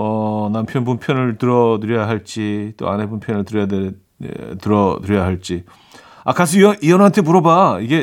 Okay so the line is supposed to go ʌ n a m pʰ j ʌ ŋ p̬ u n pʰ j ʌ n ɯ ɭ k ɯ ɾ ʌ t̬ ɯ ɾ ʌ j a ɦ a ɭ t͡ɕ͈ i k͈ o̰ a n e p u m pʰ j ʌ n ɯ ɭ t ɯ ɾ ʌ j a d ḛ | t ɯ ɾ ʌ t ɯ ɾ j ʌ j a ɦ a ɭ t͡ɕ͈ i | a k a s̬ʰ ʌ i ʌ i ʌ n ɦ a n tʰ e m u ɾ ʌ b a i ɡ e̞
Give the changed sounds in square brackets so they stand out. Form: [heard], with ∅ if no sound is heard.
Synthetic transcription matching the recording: ʌ n a m pʰ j ʌ [n] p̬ u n pʰ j ʌ n ɯ ɭ [t] ɯ ɾ ʌ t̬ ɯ ɾ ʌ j a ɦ a ɭ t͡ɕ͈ i [t͈] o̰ a n e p u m pʰ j ʌ n ɯ ɭ t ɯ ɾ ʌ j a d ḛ | t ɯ ɾ ʌ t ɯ ɾ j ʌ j a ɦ a ɭ t͡ɕ͈ i | a k a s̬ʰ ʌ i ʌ i ʌ n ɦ a n tʰ e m u ɾ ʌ b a i ɡ e̞